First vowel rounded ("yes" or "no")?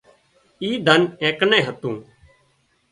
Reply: no